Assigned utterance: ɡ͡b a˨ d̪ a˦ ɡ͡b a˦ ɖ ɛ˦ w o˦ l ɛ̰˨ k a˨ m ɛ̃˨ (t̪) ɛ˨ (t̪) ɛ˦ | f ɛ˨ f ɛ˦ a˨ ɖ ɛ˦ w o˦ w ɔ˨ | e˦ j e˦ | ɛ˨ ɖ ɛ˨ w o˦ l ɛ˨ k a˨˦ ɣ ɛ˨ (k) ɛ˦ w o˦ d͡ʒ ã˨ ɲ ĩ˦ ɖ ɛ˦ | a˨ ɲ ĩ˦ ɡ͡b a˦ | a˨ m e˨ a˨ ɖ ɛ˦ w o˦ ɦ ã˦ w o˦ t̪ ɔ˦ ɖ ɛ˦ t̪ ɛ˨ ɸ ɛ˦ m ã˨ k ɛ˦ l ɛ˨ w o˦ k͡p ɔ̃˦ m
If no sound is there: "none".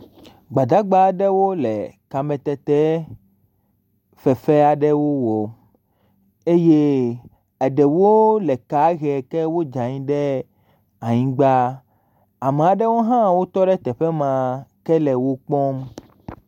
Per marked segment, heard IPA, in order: t̪, t̪, k

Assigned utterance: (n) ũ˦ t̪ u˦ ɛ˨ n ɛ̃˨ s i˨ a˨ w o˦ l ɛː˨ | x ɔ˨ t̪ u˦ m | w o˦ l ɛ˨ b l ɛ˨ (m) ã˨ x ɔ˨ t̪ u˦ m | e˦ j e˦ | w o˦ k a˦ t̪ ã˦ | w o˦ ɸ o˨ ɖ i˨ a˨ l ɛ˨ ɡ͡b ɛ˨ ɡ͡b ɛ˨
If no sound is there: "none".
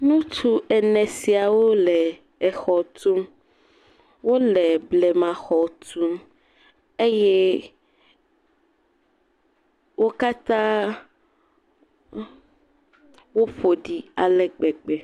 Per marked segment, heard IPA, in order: n, m

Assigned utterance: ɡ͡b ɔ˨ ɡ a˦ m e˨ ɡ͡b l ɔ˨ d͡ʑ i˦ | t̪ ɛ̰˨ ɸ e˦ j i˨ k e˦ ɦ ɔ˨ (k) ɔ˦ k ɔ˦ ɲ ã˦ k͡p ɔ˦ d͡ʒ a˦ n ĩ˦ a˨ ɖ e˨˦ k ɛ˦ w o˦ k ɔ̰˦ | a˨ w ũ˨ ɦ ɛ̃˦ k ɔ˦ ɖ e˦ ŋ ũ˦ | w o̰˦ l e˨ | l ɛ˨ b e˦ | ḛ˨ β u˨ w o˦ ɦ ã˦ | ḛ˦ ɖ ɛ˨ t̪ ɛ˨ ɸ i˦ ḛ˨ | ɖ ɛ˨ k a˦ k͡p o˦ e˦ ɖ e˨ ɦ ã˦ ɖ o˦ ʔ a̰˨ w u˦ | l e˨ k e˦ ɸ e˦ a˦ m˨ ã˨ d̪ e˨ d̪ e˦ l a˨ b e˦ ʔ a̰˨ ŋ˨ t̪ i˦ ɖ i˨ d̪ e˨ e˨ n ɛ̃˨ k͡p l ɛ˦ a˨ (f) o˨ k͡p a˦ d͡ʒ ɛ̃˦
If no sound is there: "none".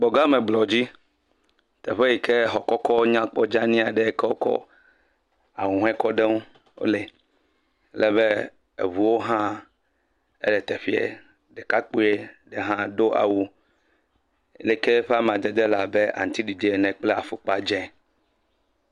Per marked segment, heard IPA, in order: k, f

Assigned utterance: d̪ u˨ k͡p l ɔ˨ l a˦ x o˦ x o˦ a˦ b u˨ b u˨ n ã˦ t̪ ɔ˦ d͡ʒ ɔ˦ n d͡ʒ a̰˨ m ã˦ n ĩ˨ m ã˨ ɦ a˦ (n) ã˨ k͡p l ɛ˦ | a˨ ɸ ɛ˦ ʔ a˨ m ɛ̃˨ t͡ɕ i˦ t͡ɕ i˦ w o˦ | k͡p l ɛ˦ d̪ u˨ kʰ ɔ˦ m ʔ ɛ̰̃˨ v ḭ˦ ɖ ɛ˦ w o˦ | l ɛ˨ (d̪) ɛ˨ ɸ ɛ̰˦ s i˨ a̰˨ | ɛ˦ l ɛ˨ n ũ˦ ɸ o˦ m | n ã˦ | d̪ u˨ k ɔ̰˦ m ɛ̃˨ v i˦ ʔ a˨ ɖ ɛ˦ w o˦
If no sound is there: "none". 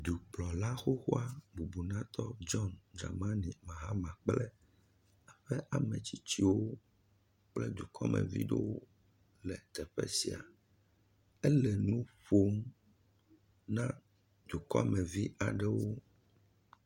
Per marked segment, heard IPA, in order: m, t̪

